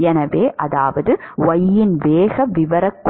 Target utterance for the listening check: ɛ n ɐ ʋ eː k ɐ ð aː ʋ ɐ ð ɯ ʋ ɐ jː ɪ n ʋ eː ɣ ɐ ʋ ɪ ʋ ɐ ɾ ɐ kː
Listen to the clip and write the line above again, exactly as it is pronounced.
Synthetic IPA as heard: ɛ n ɐ ʋ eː ʔ ɐ ð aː ʋ ɐ ð ɯ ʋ ɐ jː ɪ n ʋ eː ɣ ɐ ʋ ɪ ʋ ɐ ɾ ɐ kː